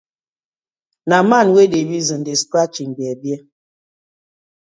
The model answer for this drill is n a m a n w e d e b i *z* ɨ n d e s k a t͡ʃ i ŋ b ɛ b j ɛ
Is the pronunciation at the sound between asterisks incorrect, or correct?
correct